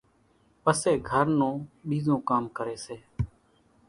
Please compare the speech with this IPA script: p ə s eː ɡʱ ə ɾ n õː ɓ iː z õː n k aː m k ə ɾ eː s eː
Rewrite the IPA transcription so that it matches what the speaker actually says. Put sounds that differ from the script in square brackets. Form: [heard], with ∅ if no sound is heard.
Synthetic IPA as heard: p ə s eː ɡʱ ə ɾ n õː ɓ iː z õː [∅] k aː m k ə ɾ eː s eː